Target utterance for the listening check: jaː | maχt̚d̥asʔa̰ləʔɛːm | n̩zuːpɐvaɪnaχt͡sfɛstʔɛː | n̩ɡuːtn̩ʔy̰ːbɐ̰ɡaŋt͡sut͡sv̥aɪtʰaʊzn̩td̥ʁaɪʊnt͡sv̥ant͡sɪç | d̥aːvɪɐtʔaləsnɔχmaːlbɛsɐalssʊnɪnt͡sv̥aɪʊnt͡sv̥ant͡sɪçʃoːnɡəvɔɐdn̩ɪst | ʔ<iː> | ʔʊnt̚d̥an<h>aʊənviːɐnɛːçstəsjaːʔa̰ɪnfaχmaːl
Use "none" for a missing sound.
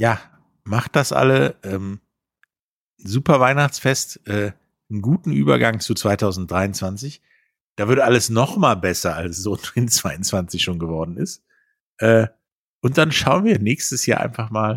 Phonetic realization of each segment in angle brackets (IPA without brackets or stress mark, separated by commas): ɛː, ʃ